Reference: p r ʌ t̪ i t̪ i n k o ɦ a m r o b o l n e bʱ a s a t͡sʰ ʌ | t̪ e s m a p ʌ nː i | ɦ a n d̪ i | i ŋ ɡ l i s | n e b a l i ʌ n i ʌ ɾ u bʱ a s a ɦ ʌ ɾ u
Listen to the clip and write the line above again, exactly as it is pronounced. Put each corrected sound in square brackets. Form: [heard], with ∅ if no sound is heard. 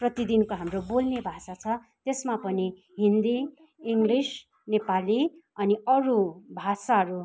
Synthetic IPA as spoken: p r ʌ t̪ i [d̪] i n k o ɦ a m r o b o l n e bʱ a s a t͡sʰ ʌ | t̪ e s m a p ʌ [n] i | ɦ [i] n d̪ i | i ŋ ɡ l i s | n e [p] a l i ʌ n i ʌ ɾ u bʱ a s a ɦ ʌ ɾ u